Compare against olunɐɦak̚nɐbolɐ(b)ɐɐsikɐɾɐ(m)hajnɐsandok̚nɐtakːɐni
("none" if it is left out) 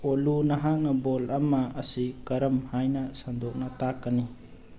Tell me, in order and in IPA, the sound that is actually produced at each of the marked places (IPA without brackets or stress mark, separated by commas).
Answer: m, m